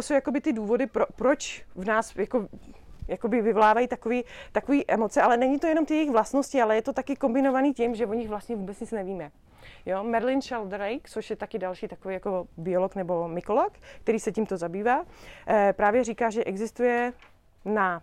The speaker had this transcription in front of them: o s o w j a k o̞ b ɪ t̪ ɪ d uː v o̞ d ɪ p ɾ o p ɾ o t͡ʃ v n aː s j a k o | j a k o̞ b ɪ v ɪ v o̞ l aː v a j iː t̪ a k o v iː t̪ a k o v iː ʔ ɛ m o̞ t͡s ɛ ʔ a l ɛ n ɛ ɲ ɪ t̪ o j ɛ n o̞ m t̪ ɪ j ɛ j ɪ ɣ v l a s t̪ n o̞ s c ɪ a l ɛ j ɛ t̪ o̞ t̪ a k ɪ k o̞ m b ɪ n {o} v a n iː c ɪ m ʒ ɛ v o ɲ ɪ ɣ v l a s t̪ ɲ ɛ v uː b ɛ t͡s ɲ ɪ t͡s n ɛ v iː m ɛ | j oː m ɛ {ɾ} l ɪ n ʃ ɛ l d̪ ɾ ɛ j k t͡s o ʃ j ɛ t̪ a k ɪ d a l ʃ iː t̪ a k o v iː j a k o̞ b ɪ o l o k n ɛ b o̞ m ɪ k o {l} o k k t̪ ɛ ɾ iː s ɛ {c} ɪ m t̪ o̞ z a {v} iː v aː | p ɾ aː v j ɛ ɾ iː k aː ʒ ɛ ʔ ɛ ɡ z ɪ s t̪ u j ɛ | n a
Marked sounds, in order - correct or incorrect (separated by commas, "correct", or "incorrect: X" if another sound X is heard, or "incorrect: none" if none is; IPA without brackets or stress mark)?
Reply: correct, correct, correct, correct, incorrect: b